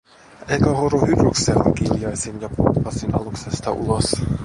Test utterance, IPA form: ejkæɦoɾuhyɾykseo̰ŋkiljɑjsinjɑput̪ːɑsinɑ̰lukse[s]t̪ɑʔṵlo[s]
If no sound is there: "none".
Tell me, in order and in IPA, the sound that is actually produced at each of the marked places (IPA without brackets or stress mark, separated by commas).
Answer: s, s